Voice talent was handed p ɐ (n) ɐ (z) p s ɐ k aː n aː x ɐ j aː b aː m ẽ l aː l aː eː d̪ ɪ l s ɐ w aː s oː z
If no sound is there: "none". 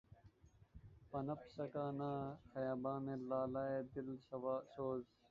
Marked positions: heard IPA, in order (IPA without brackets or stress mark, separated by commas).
n, none